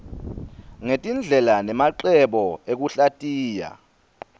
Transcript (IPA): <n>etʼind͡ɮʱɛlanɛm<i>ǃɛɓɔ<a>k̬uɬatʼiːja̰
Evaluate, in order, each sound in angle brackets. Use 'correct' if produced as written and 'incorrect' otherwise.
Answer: incorrect: ŋ, incorrect: a, incorrect: e

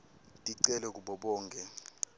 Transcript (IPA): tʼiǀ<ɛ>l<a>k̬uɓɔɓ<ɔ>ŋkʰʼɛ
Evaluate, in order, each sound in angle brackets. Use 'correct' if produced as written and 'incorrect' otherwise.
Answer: correct, incorrect: ɛ, incorrect: ɔː

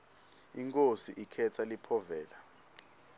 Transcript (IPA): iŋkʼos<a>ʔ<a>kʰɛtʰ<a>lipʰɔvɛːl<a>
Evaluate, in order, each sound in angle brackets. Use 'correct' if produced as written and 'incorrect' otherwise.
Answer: incorrect: i, incorrect: i, correct, correct

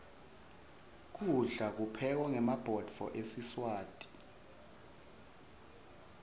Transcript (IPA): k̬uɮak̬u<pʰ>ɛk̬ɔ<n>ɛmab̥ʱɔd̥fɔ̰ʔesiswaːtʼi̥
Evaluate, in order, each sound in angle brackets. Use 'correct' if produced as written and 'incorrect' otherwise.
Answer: correct, incorrect: ŋ

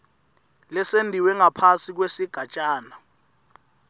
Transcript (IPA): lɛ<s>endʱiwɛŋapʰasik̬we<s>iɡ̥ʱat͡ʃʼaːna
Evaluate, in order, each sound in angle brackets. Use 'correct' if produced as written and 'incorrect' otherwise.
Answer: correct, correct

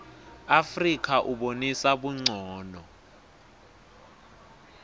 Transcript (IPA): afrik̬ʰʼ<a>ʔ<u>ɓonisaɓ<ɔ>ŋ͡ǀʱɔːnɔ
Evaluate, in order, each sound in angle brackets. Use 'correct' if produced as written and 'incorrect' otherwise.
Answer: correct, correct, incorrect: u

